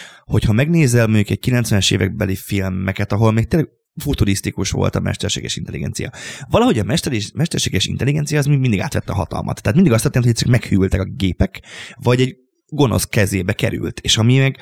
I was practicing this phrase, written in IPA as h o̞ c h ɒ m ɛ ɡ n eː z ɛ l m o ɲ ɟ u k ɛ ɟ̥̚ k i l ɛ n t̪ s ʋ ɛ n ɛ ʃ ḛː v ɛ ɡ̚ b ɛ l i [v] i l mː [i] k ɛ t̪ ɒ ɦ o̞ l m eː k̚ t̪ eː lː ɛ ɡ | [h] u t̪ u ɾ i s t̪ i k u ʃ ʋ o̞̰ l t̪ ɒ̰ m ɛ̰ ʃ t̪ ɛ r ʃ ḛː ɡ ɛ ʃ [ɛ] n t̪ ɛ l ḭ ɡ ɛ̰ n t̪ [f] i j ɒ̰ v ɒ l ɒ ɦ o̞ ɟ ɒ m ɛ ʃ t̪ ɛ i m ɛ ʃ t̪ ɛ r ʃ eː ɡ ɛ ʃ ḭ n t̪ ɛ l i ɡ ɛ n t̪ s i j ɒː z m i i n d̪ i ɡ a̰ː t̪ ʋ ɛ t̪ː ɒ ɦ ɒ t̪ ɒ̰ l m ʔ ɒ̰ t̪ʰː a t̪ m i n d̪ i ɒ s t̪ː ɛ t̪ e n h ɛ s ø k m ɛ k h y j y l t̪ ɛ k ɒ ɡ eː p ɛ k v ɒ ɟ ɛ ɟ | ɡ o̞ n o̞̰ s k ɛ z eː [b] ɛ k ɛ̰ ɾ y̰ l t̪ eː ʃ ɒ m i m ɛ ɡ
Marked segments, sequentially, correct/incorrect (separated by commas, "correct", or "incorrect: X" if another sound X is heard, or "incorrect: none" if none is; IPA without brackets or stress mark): incorrect: f, incorrect: ɛ, incorrect: f, incorrect: i, incorrect: s, correct